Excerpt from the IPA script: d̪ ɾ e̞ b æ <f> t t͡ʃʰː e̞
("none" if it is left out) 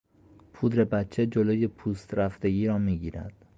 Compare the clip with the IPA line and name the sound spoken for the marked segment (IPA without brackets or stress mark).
none